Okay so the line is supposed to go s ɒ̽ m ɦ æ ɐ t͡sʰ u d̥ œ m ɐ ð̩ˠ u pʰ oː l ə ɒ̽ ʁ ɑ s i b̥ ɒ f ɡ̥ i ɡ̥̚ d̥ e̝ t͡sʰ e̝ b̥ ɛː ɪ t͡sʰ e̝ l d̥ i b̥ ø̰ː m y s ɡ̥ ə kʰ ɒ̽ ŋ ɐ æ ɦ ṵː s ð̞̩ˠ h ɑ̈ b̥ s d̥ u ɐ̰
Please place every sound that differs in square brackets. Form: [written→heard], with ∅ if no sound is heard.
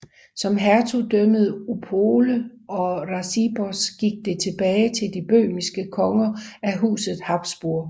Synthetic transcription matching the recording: s ɒ̽ m ɦ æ ɐ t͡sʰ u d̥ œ m [ɐ→ə] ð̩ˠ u pʰ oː l ə ɒ̽ ʁ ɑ s i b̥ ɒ [f→s] ɡ̥ i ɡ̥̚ d̥ e̝ t͡sʰ e̝ b̥ ɛː ɪ t͡sʰ e̝ l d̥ i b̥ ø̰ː m [y→i] s ɡ̥ ə kʰ ɒ̽ ŋ ɐ æ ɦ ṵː s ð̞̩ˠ h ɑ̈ b̥ s [d̥→b̥] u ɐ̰